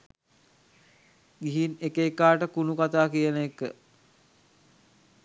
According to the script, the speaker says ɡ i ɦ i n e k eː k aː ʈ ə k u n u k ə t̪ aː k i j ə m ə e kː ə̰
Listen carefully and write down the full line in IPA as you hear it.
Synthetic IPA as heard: ɡ i ɦ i n e k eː k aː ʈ ə k u n u k a t̪ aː k i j ə n ə e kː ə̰